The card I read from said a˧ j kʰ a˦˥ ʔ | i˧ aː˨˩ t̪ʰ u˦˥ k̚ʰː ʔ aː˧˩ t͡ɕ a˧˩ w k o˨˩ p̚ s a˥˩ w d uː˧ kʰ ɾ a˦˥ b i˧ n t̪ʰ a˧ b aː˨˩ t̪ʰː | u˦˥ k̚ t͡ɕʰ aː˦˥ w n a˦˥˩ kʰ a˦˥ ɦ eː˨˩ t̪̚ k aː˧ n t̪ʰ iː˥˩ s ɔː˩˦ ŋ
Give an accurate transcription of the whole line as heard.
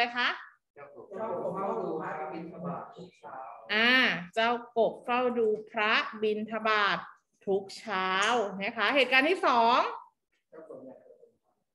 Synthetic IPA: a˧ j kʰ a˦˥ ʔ | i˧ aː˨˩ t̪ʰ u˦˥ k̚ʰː ʔ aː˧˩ t͡ɕ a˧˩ w k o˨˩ p̚ f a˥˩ w d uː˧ pʰ ɾ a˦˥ b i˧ n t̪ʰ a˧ b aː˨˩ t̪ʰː | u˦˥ k̚ t͡ɕʰ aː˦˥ w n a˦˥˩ kʰ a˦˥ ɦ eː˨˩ t̪̚ k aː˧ n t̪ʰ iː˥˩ s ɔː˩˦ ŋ